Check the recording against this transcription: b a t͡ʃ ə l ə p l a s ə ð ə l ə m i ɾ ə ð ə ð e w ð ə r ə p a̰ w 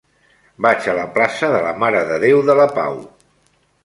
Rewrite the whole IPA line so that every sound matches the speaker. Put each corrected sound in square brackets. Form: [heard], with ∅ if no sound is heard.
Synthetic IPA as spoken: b a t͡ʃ ə l ə p l a s ə ð ə l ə m [a] ɾ ə ð ə ð e w ð ə [l] ə p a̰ w